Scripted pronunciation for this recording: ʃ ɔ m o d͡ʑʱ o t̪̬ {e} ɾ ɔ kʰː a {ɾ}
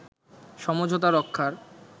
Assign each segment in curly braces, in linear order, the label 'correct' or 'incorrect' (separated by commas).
incorrect, correct